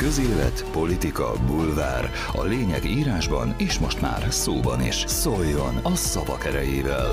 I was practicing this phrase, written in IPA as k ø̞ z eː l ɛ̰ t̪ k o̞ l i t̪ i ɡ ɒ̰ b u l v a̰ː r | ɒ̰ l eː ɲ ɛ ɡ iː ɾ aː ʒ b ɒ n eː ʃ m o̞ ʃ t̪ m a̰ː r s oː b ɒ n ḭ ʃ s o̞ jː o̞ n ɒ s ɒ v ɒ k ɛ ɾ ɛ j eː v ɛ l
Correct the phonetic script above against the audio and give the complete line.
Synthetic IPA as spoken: k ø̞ z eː l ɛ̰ t̪ p o̞ l i t̪ i k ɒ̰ b u l v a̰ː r | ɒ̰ l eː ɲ ɛ ɡ iː ɾ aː ʒ b ɒ n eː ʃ m o̞ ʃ t̪ m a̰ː r s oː b ɒ n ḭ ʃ s o̞ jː o̞ n ɒ s ɒ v ɒ k ɛ ɾ ɛ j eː v ɛ l